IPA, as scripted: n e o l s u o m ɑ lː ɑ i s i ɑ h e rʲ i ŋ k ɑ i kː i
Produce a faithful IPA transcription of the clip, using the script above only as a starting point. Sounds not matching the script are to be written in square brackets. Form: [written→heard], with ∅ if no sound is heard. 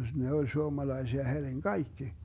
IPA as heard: n e o l s u o m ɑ [lː→l] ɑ i s i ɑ h e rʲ i ŋ k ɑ i kː i